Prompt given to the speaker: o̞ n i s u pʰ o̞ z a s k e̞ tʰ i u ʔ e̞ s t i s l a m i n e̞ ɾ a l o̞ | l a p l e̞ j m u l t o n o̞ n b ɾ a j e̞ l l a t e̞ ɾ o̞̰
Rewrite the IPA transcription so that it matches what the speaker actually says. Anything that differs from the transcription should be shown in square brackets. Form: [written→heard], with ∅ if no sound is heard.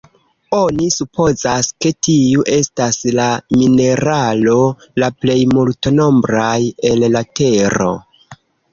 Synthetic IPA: o̞ n i s u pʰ o̞ z a s k e̞ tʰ i u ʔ e̞ s t [i→a] s l a m i n e̞ ɾ a l o̞ | l a p l e̞ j m u l t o n o̞ [n→m] b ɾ a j e̞ l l a t e̞ ɾ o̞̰